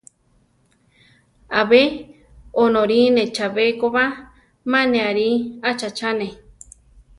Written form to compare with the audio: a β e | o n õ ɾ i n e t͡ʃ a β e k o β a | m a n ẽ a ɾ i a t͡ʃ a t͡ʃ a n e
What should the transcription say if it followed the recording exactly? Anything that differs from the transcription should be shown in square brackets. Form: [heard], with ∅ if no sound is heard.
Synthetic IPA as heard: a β e | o n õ ɾ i n e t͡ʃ a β e k o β a | m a n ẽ a ɾ i a t͡ʃ a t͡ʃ a n e

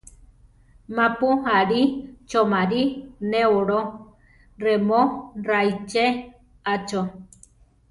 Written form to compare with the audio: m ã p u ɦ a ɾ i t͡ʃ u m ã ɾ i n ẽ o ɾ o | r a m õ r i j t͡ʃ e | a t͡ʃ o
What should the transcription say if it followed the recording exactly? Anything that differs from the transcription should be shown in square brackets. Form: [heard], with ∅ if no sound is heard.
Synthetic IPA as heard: m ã p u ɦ a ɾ i t͡ʃ [o] m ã ɾ i n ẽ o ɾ o | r [e] m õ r [a] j t͡ʃ e | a t͡ʃ o

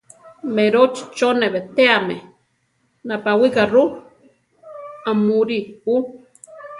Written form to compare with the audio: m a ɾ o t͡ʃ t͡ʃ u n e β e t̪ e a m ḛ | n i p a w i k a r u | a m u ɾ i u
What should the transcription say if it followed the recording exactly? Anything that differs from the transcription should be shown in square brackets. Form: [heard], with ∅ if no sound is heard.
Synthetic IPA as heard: m [e] ɾ o t͡ʃ t͡ʃ [o] n e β e t̪ e a m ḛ | n [a] p a w i k a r u | a m u ɾ i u

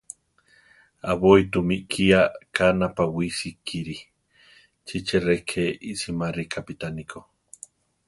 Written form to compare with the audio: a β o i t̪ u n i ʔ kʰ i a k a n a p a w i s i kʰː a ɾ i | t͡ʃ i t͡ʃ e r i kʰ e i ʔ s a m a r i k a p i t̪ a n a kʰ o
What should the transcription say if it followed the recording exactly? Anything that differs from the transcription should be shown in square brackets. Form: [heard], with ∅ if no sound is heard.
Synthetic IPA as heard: a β o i t̪ u [m] i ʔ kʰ i a k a n a p a w i s i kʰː [i] ɾ i | t͡ʃ i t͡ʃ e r [e] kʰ e i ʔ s [i] m a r i k a p i t̪ a n [i] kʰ o

